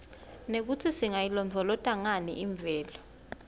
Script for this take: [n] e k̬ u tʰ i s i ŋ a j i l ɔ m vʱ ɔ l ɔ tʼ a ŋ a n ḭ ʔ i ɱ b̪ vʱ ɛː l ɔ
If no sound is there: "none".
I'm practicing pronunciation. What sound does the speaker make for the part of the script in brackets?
n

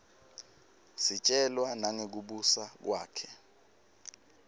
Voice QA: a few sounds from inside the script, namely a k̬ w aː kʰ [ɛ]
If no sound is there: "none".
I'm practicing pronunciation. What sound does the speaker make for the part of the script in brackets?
ɛ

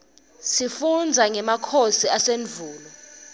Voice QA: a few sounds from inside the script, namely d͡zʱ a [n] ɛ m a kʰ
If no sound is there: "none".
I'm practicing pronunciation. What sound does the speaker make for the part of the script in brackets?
ŋ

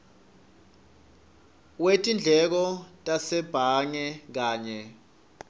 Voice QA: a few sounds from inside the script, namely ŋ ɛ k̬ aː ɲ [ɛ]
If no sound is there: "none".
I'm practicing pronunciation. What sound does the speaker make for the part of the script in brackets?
ɛ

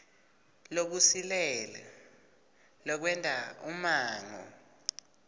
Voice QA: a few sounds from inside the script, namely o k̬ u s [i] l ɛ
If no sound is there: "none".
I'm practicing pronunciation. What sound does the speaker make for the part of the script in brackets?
i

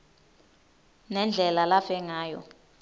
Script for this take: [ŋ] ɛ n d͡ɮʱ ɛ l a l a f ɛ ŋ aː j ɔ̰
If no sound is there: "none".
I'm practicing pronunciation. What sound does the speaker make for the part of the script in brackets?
n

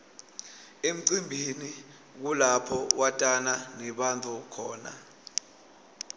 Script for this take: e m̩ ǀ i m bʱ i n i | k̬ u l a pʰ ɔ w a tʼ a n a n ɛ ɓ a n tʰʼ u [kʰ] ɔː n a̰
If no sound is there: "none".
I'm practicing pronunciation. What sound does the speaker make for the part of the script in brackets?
kʰ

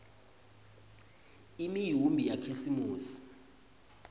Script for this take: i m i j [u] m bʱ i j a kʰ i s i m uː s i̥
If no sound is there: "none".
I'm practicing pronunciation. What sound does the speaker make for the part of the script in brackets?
u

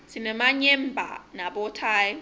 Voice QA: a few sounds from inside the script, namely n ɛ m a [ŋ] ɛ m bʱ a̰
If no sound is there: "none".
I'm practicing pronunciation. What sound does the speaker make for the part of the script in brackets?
ɲ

